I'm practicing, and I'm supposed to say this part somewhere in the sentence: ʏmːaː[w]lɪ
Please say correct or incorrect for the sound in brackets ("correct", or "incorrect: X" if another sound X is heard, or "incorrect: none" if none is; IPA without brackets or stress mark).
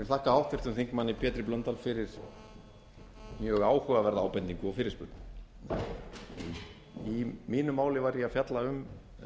correct